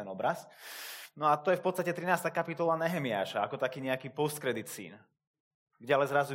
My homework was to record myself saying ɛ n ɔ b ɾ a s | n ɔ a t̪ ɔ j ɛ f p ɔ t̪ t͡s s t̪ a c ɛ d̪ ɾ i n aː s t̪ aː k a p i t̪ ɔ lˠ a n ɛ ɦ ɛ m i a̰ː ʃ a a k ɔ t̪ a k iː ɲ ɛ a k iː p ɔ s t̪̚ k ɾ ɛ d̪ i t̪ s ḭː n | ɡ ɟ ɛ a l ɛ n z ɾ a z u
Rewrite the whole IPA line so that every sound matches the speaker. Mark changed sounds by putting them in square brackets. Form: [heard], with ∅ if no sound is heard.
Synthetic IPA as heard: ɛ n ɔ b ɾ a s | n ɔ a t̪ ɔ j ɛ f p ɔ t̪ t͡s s t̪ a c ɛ [t̪] ɾ i n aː s t̪ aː k a p i t̪ ɔ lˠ a n ɛ ɦ ɛ m i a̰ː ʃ a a k ɔ t̪ a k iː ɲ ɛ a k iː p ɔ s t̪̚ k ɾ ɛ d̪ i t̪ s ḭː n | ɡ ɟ ɛ a l ɛ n z ɾ a z u